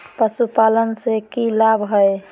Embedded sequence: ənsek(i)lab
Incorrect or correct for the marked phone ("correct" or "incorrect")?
correct